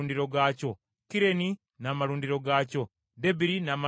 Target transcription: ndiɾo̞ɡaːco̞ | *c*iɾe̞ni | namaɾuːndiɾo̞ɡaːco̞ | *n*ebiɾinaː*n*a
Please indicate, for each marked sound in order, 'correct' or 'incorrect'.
incorrect, incorrect, incorrect

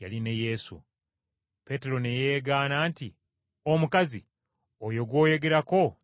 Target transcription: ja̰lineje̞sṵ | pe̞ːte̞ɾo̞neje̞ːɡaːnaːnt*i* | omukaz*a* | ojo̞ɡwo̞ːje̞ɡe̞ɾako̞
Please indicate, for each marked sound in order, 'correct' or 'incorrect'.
correct, incorrect

